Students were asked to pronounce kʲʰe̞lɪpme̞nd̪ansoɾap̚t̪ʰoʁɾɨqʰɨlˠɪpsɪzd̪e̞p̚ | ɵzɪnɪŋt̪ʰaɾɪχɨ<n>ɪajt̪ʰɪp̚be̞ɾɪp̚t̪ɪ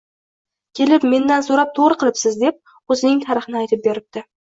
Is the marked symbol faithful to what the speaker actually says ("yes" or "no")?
yes